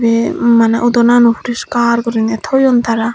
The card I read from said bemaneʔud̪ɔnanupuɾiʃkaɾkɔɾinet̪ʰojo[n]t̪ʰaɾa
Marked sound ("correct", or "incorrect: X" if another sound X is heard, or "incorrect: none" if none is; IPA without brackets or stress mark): correct